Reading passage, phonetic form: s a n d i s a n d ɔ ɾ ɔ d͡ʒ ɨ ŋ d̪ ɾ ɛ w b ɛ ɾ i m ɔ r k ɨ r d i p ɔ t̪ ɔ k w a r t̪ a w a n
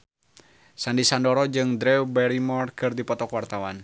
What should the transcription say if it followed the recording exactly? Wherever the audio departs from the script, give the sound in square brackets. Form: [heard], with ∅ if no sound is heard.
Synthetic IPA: s a n d i s a n d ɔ ɾ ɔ d͡ʒ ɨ ŋ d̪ ɾ ɛ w b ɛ ɾ i m ɔ r k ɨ r d i p ɔ t̪ ɔ k w a r t̪ a w a n